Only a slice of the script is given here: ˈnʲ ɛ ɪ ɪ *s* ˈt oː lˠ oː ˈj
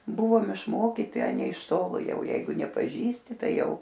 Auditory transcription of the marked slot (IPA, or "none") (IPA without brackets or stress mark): ʃ